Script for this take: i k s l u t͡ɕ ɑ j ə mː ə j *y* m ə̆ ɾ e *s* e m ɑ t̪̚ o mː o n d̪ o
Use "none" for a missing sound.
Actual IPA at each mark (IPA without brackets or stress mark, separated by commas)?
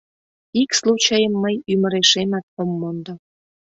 y, ʃ